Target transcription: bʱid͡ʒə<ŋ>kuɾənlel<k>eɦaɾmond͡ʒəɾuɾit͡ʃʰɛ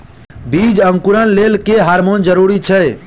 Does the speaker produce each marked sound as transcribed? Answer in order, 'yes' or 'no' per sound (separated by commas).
yes, yes